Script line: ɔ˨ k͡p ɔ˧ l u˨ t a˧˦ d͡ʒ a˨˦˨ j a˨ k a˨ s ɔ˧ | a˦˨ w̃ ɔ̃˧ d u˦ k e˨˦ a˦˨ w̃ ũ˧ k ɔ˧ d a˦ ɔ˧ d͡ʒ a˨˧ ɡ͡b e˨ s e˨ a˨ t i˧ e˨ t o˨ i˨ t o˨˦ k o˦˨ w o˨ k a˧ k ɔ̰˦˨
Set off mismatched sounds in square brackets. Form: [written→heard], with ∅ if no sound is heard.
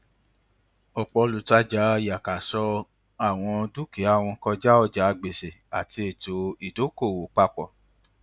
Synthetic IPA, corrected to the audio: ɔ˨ k͡p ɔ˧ l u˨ t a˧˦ d͡ʒ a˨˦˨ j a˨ k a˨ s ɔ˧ | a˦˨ w̃ ɔ̃˧ d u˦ k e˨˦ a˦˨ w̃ [ũ˧→ɔ̃˧] k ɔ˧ [d→d͡ʒ] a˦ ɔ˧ d͡ʒ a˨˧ ɡ͡b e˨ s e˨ a˨ t i˧ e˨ t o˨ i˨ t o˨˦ k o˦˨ w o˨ [k→k͡p] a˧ [k→k͡p] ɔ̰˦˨